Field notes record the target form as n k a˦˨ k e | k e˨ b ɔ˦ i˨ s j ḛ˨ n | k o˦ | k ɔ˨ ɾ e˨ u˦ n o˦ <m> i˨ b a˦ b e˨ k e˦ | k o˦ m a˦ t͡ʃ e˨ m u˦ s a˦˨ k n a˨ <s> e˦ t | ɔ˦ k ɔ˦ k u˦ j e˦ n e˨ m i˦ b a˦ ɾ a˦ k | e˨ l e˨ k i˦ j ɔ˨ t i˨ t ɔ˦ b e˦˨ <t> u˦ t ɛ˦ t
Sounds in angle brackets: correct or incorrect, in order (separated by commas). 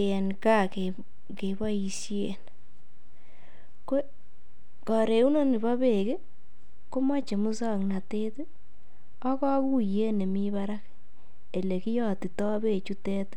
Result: incorrect, incorrect, incorrect